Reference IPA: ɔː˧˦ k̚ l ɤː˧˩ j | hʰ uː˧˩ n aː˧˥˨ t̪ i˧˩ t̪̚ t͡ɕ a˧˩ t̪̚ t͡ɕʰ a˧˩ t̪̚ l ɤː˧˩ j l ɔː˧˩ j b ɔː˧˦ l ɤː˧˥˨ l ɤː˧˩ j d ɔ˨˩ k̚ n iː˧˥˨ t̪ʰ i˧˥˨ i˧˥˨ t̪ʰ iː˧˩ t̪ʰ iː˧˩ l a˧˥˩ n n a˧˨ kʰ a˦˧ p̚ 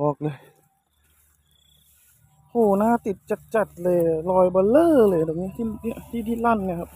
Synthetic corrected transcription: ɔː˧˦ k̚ l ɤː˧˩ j | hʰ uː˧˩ n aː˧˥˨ t̪ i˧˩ t̪̚ t͡ɕ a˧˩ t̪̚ t͡ɕ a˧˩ t̪̚ l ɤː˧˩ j l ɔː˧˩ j b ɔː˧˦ l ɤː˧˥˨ l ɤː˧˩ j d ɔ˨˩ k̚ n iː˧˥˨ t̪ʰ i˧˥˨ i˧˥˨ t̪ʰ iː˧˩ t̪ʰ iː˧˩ l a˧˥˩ n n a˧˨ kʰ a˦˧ p̚

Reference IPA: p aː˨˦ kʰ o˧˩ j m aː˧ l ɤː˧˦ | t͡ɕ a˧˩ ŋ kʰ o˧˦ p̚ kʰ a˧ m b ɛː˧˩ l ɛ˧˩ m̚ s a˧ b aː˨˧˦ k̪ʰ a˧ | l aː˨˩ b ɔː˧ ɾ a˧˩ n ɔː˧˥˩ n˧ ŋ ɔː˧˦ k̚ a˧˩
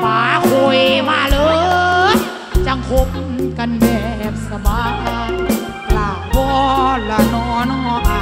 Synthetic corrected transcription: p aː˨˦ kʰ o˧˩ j m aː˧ l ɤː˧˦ | t͡ɕ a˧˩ ŋ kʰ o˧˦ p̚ k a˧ n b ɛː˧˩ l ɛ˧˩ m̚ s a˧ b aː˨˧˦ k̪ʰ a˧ | l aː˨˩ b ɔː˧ l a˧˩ n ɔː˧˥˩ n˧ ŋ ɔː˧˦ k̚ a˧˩

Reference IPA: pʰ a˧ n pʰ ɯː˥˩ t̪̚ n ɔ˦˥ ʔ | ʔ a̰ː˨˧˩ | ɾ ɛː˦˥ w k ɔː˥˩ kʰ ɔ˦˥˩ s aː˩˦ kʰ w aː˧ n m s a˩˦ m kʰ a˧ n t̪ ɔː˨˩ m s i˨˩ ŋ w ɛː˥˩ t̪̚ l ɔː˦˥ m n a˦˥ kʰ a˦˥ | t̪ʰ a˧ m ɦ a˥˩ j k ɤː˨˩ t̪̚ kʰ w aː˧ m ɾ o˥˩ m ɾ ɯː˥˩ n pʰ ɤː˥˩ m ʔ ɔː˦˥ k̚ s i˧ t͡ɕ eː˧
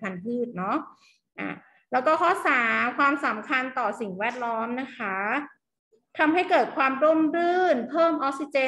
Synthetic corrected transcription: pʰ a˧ n pʰ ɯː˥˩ t̪̚ n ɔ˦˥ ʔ | ʔ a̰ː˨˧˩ | l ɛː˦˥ w k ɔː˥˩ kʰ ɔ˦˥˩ s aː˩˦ kʰ w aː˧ m s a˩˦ m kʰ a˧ n t̪ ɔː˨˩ s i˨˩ ŋ w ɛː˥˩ t̪̚ l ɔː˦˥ m n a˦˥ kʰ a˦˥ | t̪ʰ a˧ m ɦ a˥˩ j k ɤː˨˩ t̪̚ kʰ w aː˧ m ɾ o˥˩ m ɾ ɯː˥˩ n pʰ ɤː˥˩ m ʔ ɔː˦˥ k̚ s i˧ t͡ɕ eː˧

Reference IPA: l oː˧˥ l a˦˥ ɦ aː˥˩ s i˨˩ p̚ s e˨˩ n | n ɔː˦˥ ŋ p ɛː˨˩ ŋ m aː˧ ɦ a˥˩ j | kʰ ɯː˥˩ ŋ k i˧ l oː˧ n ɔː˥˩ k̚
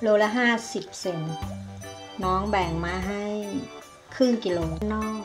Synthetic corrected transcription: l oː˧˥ l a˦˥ ɦ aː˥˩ s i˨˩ p̚ s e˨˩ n | n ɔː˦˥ ŋ b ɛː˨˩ ŋ m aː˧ ɦ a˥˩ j | kʰ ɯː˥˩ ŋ k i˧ l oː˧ n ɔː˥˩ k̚

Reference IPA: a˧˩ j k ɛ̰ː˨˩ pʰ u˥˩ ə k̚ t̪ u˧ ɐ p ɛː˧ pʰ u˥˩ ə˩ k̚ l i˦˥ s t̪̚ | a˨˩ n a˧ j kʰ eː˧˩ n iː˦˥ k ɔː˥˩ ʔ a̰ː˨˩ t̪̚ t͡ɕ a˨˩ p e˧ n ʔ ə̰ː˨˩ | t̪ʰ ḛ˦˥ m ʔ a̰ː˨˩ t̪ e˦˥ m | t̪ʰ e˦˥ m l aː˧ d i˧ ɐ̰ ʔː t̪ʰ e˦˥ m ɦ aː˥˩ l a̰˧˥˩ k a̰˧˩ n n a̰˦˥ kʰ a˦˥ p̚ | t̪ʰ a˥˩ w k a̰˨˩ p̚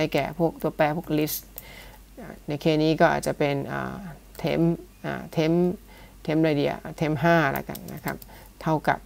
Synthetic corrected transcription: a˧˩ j k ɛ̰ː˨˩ pʰ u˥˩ ə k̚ t̪ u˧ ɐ p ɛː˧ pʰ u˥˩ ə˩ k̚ l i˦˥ s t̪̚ | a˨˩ n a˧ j kʰ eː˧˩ n iː˦˥ k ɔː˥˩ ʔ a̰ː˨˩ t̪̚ t͡ɕ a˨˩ p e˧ n ʔ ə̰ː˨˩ | t̪ʰ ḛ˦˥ m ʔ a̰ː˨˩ t̪ʰ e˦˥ m | t̪ʰ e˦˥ m ɾ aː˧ d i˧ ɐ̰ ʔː t̪ʰ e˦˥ m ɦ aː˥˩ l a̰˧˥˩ k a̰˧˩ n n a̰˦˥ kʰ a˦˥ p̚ | t̪ʰ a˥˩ w k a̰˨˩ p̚

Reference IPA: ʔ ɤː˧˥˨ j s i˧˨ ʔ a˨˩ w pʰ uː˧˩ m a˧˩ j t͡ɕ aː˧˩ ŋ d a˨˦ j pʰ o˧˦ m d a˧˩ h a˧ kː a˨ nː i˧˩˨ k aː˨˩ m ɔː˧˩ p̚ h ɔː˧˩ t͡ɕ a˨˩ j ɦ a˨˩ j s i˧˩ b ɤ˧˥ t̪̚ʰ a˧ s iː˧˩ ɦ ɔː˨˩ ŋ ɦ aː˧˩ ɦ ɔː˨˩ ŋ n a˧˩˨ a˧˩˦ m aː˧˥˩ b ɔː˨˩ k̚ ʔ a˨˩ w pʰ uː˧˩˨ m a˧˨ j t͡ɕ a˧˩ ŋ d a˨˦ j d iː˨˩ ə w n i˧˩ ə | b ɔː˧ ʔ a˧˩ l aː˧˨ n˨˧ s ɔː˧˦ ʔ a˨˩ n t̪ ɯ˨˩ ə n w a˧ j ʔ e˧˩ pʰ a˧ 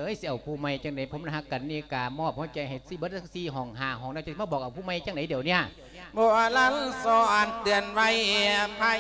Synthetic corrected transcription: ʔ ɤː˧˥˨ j s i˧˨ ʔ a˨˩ w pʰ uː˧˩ m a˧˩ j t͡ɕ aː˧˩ ŋ d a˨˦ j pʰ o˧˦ m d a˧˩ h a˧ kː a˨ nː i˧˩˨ k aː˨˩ m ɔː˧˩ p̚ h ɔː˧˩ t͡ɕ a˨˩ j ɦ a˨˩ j s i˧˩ b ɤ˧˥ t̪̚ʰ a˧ s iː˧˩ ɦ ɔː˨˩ ŋ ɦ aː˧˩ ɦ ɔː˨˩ ŋ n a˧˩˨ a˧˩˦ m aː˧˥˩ b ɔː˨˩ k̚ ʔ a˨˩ w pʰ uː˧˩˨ m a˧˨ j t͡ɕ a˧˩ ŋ d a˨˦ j d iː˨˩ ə w n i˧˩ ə | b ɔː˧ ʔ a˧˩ l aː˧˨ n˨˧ s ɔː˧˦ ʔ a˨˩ n t̪ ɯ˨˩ ə n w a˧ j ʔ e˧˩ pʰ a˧

